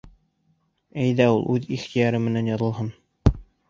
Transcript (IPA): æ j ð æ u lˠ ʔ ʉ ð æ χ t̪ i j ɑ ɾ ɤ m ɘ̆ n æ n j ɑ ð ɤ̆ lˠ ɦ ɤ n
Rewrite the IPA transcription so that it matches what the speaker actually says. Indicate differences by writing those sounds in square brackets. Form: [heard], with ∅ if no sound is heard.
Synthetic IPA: æ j ð æ u lˠ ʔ ʉ ð [i] χ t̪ i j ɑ ɾ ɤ m ɘ̆ n æ n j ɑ ð ɤ̆ lˠ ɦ ɤ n